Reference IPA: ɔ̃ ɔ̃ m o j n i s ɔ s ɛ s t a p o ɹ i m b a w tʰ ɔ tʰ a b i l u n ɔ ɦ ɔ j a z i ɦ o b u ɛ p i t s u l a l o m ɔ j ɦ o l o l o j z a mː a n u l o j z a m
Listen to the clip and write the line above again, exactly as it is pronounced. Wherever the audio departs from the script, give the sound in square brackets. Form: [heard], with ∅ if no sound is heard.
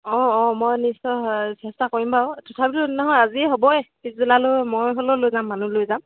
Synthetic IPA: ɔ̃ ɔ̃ m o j n i s ɔ s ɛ s t a [k] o ɹ i m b a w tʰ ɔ tʰ a b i l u n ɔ ɦ ɔ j a z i ɦ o b [ɔ] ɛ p i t [z] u l a l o m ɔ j ɦ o l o l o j z a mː a n u l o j z a m